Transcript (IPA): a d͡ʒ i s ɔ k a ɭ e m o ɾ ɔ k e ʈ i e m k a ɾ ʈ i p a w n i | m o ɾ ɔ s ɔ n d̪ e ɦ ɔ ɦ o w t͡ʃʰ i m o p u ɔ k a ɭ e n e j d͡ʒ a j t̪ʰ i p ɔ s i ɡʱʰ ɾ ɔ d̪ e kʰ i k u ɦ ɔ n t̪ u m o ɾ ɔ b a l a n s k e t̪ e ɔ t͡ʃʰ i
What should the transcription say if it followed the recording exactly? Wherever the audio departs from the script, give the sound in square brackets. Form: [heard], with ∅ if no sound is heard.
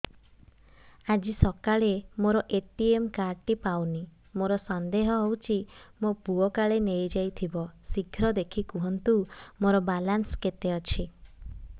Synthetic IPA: a d͡ʒ i s ɔ k a ɭ e m o ɾ ɔ [ʔ] e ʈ i e m k a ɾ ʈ i p a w n i | m o ɾ ɔ s ɔ n d̪ e ɦ ɔ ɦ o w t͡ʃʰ i m o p u ɔ k a ɭ e n e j d͡ʒ a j t̪ʰ i [b] ɔ s i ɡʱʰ ɾ ɔ d̪ e kʰ i k u ɦ ɔ n t̪ u m o ɾ ɔ b a l a n s k e t̪ e ɔ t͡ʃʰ i